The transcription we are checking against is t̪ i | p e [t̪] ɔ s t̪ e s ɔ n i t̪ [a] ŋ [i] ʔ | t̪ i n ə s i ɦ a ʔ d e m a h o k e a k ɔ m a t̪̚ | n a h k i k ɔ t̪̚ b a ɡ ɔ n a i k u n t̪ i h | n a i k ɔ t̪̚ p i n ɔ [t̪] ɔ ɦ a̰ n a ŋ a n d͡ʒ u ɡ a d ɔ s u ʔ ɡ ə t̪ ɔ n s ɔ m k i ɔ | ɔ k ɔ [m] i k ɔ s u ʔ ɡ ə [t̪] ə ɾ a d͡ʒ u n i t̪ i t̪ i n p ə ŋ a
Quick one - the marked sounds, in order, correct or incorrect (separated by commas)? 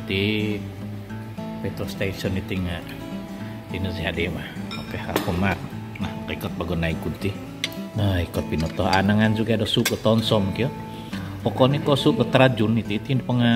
correct, incorrect, incorrect, correct, incorrect, correct